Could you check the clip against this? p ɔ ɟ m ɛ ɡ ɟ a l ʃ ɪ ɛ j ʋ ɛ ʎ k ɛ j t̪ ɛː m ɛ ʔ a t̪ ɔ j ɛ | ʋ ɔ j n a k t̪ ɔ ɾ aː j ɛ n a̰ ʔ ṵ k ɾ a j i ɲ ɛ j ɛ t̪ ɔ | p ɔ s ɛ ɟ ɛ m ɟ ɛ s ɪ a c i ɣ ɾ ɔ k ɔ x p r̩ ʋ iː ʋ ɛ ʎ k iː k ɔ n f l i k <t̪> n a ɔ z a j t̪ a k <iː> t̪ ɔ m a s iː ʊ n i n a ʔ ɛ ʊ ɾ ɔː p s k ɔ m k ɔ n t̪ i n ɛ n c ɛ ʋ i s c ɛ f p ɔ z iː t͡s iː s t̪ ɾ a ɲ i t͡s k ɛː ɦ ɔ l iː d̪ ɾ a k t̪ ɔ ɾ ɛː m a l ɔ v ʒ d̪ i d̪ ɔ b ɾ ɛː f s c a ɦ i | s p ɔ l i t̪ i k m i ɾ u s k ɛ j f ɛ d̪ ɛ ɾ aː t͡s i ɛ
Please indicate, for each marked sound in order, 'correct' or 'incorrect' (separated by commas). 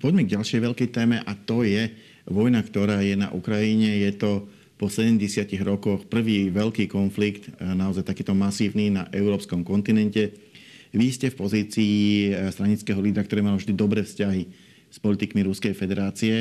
correct, correct